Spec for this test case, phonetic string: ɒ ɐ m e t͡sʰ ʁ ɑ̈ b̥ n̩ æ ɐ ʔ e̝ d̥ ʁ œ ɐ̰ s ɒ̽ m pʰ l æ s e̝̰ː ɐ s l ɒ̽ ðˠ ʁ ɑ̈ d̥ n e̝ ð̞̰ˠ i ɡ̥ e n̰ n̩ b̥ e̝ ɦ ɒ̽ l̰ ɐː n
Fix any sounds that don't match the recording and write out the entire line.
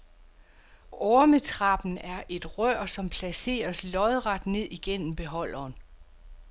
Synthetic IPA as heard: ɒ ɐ m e t͡sʰ ʁ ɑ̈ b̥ n̩ æ ɐ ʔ e̝ d̥ ʁ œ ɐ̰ s ɒ̽ m pʰ l æ s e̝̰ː ɐ s l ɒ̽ ðˠ ʁ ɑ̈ d̥ n e̝ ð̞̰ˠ i ɡ̥ e n̰ m̩ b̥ e̝ ɦ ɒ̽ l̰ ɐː n